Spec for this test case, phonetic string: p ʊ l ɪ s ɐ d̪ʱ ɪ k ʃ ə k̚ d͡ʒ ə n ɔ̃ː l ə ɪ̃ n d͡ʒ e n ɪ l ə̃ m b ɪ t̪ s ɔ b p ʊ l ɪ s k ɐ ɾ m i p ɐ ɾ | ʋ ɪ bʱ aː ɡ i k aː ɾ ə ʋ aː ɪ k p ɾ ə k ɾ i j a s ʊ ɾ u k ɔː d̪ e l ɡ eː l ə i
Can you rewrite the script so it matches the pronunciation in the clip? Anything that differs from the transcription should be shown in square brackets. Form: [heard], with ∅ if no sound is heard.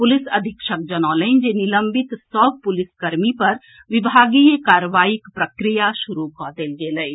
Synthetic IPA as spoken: p ʊ l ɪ s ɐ d̪ʱ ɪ k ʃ ə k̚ d͡ʒ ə n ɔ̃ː l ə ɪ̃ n d͡ʒ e n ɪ l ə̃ m b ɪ t̪ s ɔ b p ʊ l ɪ s k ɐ ɾ m i p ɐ ɾ | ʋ ɪ bʱ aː ɡ i k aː ɾ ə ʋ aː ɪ k p ɾ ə k ɾ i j a [ʃ] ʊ ɾ u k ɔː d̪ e l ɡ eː l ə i